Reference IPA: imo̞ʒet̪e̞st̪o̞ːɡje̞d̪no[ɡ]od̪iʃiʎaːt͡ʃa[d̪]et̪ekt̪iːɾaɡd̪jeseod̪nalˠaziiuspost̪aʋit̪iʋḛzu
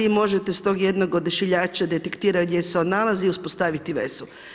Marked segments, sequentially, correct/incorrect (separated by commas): correct, correct